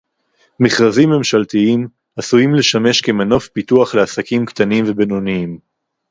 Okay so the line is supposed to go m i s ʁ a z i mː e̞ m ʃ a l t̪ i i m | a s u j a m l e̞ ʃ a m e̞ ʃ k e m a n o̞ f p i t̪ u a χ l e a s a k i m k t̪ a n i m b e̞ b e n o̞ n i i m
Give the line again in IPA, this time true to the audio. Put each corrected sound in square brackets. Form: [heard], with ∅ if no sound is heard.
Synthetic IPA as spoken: m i [χ] ʁ a z i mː e̞ m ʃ a l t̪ i i m | a s u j [i] m l e̞ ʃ a m e̞ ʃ k e m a n o̞ f p i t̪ u a χ l e a s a k i m k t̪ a n i m [v] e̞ b e n o̞ n i i m

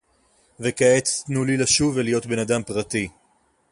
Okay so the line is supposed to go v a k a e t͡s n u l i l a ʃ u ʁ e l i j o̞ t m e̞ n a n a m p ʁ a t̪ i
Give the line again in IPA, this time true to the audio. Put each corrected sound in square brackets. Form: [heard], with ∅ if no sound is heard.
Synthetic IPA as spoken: v [e] k a e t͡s n u l i l a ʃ u [v] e l i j o̞ t [b] e̞ n a [d] a m p ʁ a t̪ i

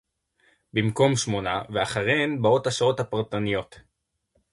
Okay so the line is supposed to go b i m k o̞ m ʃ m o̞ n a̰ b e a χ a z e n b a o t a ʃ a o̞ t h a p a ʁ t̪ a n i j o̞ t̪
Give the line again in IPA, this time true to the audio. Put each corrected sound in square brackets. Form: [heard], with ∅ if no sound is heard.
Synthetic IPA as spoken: b i m k o̞ m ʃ m o̞ n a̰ [v] e a χ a [ʁ] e n b a o t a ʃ a o̞ t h a p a ʁ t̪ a n i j o̞ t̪

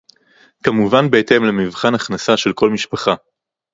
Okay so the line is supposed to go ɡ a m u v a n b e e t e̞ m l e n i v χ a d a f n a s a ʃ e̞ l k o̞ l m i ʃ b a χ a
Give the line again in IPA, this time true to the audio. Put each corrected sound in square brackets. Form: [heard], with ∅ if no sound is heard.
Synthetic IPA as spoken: [k] a m u v a n b e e t e̞ m l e [m] i v χ a [n] a [χ] n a s a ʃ e̞ l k o̞ l m i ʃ [p] a χ a

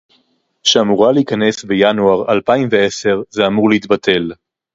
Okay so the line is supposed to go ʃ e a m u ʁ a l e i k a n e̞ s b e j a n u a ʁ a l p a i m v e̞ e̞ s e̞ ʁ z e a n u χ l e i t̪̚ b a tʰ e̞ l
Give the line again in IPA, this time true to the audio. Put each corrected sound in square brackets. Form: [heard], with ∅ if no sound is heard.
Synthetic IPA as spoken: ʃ e a m u ʁ a l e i k a n e̞ s b e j a n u a ʁ a l p a i m v e̞ e̞ s e̞ ʁ z e a [m] u [ʁ] l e i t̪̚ b a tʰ e̞ l

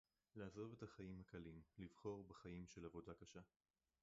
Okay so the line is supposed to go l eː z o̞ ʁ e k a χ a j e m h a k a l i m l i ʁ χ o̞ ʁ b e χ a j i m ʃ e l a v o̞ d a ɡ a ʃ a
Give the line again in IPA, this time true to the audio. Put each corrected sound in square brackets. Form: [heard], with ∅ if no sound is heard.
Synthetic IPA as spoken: l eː z o̞ [v] e [t] a χ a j [i] m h a k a l i m l i [v] χ o̞ ʁ b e χ a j i m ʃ e l a v o̞ d a [k] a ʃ a

